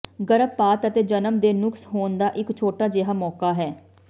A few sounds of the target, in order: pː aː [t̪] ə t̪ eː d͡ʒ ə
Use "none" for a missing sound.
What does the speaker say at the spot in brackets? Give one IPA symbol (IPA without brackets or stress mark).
t̪